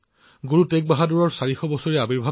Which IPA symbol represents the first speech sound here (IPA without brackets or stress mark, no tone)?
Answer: ɡ